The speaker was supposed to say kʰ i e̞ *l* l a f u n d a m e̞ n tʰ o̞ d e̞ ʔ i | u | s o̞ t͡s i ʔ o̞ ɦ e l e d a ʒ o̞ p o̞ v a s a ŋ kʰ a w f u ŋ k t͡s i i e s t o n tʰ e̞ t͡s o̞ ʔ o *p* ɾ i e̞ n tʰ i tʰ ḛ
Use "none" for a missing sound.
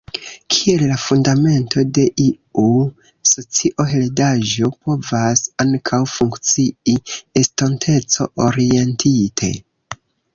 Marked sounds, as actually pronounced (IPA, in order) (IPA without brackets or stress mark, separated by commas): l, none